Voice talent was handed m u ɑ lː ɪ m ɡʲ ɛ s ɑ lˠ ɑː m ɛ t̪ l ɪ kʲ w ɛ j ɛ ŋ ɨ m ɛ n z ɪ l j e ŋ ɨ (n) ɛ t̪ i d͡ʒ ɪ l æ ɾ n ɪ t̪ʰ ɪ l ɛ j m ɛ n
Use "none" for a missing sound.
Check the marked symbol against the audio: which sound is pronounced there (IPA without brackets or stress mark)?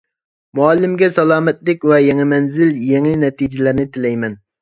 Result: n